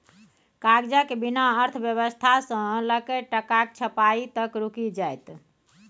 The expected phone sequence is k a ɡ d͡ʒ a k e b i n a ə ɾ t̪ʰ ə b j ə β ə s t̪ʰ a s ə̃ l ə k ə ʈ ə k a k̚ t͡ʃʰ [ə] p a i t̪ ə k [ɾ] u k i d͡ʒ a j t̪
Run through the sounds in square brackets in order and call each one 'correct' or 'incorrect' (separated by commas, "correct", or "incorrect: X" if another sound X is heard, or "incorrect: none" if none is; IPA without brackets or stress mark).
correct, correct